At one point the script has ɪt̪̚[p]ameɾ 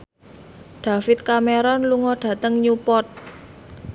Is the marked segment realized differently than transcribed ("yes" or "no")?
yes